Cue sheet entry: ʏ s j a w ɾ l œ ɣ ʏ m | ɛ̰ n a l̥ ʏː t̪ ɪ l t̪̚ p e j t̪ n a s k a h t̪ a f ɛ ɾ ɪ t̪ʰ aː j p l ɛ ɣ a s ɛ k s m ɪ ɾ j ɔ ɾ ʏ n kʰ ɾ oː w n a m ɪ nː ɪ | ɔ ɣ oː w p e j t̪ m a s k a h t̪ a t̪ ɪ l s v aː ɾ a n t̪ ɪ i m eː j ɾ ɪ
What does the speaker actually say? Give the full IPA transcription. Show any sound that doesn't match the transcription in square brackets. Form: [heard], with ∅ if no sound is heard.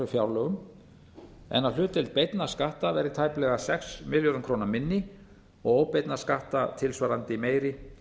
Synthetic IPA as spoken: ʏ [f] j a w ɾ l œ ɣ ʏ m | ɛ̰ n a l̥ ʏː t̪ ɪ l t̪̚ p e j t̪ n a s k a h t̪ a [v] ɛ ɾ ɪ t̪ʰ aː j p l ɛ ɣ a s ɛ k s m ɪ [l] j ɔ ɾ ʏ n kʰ ɾ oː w n a m ɪ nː ɪ | ɔ ɣ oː w p e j t̪ [n] a s k a h t̪ a [t̪ʰ] ɪ l s v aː ɾ a n t̪ ɪ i m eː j ɾ ɪ